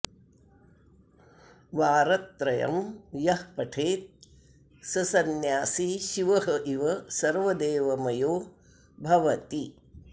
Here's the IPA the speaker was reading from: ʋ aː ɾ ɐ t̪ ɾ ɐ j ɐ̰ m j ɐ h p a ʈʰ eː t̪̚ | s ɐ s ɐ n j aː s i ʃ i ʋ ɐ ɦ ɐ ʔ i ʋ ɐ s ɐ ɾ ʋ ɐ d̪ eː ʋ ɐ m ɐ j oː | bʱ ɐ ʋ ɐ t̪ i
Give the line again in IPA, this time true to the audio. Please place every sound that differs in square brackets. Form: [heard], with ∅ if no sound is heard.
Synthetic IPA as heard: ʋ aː ɾ ɐ t̪ ɾ ɐ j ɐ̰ m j ɐ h p [ɐ] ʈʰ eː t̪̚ | s ɐ s ɐ n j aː s i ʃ i ʋ ɐ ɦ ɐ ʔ i ʋ ɐ s ɐ ɾ ʋ ɐ d̪ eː ʋ ɐ m ɐ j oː | bʱ ɐ ʋ ɐ t̪ i

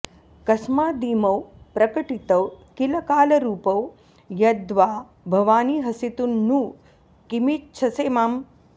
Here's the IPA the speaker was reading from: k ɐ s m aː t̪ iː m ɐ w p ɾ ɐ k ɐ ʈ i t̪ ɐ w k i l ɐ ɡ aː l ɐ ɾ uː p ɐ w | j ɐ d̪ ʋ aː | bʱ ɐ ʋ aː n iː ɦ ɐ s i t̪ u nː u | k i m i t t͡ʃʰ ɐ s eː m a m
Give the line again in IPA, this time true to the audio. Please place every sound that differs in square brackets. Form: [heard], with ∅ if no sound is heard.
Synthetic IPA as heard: k ɐ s m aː [d̪] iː m ɐ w p ɾ ɐ k ɐ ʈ i t̪ ɐ w k i l ɐ [k] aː l ɐ ɾ uː p ɐ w | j ɐ d̪ ʋ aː | bʱ ɐ ʋ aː n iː ɦ ɐ s i t̪ u nː u | k i m i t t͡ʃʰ ɐ s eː m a m

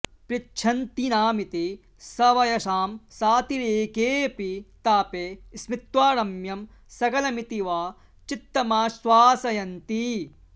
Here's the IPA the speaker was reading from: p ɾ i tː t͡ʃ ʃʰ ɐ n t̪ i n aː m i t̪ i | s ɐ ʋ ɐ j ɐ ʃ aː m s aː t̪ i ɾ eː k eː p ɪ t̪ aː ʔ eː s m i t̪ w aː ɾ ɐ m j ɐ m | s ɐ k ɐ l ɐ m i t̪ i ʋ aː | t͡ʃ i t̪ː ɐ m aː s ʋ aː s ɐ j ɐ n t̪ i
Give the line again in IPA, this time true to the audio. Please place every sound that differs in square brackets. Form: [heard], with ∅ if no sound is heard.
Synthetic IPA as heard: p ɾ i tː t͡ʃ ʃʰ ɐ n t̪ i n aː m i t̪ i | s ɐ ʋ ɐ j ɐ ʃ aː m s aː t̪ i ɾ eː k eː p [i] t̪ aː [p] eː s m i t̪ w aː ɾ ɐ m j ɐ m | s ɐ k ɐ l ɐ m i t̪ i ʋ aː | t͡ʃ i t̪ː ɐ m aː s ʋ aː s ɐ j ɐ n t̪ i

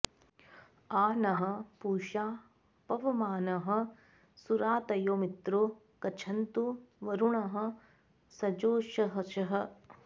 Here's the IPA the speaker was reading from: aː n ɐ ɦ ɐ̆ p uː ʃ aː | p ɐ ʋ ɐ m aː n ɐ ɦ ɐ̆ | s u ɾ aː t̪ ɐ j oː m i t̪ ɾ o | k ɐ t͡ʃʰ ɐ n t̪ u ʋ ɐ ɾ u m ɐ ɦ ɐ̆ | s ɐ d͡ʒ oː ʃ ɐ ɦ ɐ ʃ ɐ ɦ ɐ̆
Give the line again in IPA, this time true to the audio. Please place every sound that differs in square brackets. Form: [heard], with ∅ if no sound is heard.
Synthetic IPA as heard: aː n ɐ ɦ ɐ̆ p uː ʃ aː | p ɐ ʋ ɐ m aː n ɐ ɦ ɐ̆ | s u ɾ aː t̪ ɐ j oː m i t̪ ɾ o | k ɐ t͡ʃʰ ɐ n t̪ u ʋ ɐ ɾ u [ɳ] ɐ ɦ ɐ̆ | s ɐ d͡ʒ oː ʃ ɐ ɦ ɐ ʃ ɐ ɦ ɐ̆

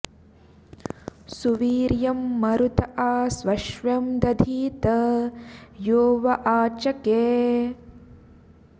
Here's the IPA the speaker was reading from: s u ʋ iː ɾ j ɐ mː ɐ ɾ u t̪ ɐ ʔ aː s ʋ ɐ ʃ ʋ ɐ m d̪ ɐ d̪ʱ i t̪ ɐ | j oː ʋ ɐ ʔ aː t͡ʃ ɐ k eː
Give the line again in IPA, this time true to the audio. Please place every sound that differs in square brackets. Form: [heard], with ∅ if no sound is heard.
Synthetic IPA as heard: s u ʋ iː ɾ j ɐ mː ɐ ɾ u t̪ ɐ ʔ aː s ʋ ɐ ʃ ʋ ɐ m d̪ ɐ d̪ʱ [iː] t̪ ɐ | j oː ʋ ɐ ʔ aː t͡ʃ ɐ k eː

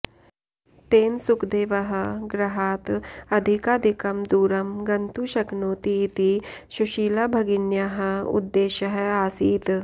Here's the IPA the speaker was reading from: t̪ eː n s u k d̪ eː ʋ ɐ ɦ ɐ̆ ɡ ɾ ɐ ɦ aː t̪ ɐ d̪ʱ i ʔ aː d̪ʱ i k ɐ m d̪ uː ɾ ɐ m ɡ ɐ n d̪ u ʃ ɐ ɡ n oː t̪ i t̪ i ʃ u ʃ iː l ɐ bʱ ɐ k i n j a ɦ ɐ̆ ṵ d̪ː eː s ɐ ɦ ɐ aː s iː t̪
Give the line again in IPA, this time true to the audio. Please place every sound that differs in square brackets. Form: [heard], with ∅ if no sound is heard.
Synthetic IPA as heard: t̪ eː n s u k d̪ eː ʋ ɐ ɦ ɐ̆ ɡ ɾ ɐ ɦ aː t̪ ɐ d̪ʱ i [k] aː d̪ʱ i k ɐ m d̪ uː ɾ ɐ m ɡ ɐ n [t̪] u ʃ ɐ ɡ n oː t̪ i t̪ i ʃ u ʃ iː l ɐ bʱ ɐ [ɡ] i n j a ɦ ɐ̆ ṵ d̪ː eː [ʃ] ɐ ɦ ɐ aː s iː t̪

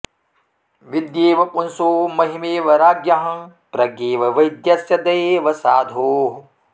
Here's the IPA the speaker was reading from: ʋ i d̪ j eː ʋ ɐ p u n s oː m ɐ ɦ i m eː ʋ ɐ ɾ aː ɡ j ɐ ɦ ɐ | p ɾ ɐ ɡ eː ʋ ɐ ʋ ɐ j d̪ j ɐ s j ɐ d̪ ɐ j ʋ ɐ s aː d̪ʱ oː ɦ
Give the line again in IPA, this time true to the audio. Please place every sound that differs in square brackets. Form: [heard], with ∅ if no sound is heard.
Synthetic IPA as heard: ʋ i d̪ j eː ʋ ɐ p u n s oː m ɐ ɦ i m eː ʋ ɐ ɾ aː ɡ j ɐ ɦ ɐ | p ɾ ɐ ɡ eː ʋ ɐ ʋ ɐ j d̪ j ɐ s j ɐ d̪ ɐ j ʋ ɐ s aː d̪ʱ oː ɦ

